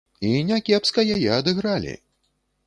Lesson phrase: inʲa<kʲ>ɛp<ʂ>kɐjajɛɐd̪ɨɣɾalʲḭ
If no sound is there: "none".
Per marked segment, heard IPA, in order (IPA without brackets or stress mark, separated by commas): kʲ, s